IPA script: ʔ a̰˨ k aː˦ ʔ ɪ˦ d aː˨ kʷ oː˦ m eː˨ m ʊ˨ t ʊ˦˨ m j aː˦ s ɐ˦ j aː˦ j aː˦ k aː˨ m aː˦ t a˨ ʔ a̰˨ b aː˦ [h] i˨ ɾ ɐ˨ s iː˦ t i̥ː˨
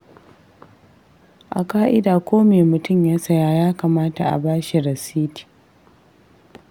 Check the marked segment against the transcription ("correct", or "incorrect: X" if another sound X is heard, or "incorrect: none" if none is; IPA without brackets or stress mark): incorrect: ʃ